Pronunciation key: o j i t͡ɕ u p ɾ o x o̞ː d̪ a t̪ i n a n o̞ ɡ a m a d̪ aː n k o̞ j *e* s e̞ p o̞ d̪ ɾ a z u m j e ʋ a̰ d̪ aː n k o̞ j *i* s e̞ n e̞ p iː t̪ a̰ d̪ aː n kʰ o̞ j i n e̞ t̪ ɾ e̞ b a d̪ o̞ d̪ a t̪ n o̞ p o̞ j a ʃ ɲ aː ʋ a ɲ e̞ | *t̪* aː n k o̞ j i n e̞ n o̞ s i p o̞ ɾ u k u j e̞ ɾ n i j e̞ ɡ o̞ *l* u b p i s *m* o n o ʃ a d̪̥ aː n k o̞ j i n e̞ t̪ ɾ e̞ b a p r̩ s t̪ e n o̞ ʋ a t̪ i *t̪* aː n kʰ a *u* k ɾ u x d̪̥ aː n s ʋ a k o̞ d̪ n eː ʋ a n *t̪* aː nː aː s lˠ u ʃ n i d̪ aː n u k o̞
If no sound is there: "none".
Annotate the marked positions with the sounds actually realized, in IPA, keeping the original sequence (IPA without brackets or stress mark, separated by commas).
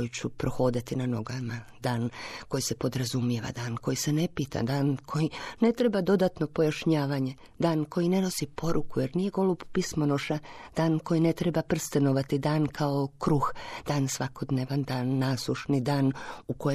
i, i, d̪, l, m, d̪, o, d̪